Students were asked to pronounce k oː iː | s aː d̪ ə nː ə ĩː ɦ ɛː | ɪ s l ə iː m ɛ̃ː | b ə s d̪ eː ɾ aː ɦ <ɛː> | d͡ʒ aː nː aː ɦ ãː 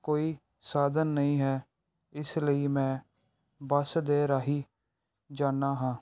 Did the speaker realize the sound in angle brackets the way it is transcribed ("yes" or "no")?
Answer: no